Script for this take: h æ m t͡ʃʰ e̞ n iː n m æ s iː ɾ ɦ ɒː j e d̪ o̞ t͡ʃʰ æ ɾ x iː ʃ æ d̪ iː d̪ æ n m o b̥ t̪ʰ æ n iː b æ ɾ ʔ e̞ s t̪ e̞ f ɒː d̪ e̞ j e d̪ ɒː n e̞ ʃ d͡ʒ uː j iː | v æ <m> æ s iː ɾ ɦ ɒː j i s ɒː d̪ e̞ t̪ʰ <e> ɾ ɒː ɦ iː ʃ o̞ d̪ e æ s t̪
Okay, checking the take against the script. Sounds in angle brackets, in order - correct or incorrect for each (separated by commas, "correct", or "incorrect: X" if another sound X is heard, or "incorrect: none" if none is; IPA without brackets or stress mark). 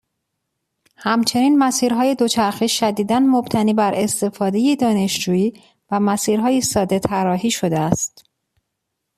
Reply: correct, incorrect: æ